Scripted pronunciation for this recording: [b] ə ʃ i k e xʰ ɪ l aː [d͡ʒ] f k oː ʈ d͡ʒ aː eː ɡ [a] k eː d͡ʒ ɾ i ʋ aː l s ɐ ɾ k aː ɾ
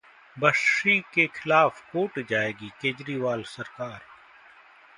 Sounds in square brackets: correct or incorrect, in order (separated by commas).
correct, incorrect, incorrect